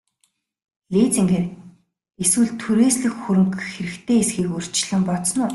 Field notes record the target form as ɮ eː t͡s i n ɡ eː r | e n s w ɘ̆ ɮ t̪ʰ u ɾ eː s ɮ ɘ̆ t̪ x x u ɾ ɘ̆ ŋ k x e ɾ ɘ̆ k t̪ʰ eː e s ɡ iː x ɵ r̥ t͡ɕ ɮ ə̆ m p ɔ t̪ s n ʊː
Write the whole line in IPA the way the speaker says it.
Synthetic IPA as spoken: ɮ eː t͡s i ŋ ɡ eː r | e s w ɘ̆ ɮ t̪ʰ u ɾ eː s ɮ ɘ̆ x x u ɾ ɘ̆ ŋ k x e ɾ ɘ̆ k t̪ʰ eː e s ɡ iː k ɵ r̥ t͡ɕ ɮ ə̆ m p ɔ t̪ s n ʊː